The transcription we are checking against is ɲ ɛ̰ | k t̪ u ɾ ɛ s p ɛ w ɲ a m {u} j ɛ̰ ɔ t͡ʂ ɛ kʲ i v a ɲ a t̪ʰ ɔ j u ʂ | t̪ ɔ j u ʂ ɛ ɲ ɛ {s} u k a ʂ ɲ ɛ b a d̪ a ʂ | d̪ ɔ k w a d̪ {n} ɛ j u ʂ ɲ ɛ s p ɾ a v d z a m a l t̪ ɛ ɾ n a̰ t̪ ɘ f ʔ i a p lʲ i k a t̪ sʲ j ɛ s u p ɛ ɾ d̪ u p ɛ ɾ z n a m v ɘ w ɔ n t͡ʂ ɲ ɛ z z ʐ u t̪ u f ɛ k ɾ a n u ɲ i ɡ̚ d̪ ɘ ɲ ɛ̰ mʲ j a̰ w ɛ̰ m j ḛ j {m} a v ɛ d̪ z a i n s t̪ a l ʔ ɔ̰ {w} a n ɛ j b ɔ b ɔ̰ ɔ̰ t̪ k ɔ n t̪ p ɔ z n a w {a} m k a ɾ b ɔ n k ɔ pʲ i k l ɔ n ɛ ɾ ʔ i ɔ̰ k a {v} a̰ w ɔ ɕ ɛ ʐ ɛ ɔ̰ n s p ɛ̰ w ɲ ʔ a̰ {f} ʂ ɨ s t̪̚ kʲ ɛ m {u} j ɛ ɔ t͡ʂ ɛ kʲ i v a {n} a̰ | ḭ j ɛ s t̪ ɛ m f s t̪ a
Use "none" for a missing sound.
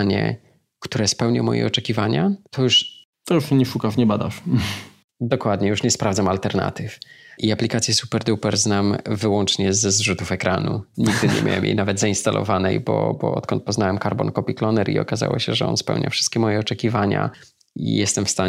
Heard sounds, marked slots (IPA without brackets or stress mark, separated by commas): ɔ, ʂ, ɲ, n, v, ɛ, z, f, ɔ, ɲ